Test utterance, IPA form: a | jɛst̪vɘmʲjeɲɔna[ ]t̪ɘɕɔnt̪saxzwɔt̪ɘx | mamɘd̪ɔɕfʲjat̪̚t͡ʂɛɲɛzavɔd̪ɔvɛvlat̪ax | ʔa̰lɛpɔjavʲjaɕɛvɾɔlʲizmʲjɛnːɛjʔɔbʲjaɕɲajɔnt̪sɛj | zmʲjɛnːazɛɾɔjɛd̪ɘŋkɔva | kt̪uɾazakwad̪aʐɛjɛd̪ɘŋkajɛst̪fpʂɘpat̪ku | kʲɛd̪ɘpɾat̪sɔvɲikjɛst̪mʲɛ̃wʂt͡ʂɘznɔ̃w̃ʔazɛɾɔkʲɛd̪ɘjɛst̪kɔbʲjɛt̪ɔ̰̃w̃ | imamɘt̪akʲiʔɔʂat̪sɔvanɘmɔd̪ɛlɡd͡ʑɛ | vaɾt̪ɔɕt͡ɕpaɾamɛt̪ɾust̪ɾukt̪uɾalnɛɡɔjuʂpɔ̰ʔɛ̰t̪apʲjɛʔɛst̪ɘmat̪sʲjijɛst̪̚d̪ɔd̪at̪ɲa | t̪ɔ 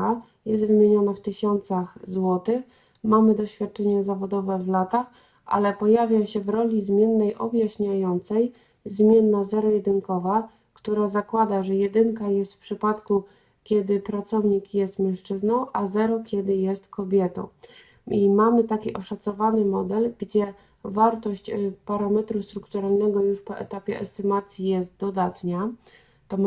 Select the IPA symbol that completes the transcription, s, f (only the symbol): f